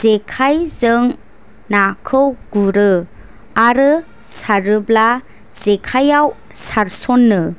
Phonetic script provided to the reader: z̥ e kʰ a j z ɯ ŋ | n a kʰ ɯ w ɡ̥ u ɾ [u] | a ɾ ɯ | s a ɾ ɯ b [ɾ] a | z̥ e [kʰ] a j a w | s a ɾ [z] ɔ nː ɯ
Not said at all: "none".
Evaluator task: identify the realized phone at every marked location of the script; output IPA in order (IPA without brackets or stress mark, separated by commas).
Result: ɯ, l, kʰ, s